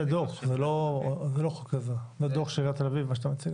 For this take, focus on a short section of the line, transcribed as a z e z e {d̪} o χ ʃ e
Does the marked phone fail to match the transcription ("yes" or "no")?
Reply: no